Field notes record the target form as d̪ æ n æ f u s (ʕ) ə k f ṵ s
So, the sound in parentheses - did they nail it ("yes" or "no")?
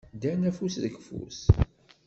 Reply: no